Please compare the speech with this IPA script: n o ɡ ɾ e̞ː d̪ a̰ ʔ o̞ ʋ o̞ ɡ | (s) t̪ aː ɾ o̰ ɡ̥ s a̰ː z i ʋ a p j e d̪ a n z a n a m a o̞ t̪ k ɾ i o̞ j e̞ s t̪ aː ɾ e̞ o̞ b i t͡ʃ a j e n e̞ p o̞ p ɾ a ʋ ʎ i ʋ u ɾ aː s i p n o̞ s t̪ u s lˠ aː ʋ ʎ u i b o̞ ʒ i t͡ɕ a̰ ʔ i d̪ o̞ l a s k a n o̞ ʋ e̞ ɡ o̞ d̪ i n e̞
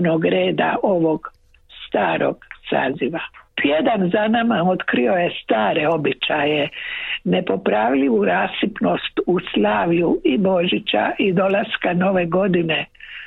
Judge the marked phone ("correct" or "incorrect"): correct